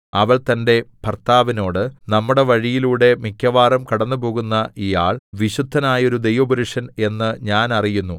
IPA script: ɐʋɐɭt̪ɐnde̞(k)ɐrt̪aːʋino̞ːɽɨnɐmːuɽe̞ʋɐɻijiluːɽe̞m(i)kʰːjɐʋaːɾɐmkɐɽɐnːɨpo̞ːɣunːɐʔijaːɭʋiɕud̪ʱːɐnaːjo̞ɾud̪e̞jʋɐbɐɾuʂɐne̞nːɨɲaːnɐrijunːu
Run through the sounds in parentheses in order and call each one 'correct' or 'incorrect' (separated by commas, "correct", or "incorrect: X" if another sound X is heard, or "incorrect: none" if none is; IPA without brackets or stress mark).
incorrect: p, correct